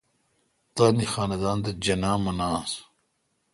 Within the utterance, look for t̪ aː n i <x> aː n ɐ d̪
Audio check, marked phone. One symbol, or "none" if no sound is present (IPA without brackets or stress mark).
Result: x